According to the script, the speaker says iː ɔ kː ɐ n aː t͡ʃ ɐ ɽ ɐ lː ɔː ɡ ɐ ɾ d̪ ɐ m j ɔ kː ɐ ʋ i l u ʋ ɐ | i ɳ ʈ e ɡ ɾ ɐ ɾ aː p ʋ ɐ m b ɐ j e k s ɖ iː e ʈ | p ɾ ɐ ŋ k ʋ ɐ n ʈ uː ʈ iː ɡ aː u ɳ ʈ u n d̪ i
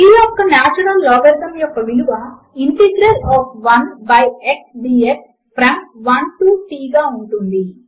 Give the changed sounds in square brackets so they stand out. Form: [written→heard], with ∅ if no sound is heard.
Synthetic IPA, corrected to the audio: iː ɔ kː ɐ n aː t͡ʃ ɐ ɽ ɐ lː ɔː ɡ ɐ ɾ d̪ ɐ m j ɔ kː ɐ ʋ i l u ʋ ɐ | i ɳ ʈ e ɡ ɾ ɐ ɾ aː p ʋ ɐ [m→n] b ɐ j e k s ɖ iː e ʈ | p ɾ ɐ ŋ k ʋ ɐ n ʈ uː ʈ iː ɡ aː u ɳ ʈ u n d̪ i